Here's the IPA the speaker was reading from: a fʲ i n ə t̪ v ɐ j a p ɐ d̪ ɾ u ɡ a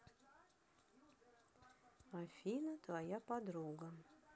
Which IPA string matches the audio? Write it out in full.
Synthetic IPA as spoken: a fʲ i n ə t̪ v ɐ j a p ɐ d̪ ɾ u ɡ ə

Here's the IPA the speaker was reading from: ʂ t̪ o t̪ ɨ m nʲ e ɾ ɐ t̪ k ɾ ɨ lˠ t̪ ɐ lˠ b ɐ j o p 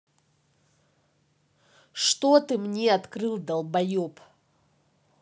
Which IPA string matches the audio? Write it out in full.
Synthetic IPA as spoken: ʂ t̪ o t̪ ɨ m nʲ e ɐ t̪ k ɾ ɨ lˠ d̪ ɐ lˠ b ɐ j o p

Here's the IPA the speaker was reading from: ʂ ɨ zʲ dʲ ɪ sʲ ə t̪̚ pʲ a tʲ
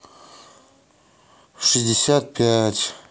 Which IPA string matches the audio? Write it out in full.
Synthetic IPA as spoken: ʂ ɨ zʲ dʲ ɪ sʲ a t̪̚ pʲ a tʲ

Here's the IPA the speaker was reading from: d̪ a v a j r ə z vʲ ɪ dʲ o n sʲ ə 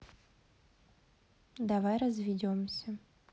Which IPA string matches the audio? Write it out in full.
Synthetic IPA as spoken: d̪ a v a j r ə z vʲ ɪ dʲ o m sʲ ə

